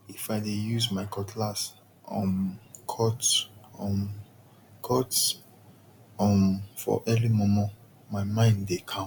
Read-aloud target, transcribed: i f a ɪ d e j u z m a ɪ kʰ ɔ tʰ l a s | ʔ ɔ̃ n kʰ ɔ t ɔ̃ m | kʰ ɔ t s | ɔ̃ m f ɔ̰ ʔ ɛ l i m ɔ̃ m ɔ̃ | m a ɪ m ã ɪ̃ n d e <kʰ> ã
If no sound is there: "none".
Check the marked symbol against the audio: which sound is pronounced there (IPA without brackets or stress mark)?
kʰ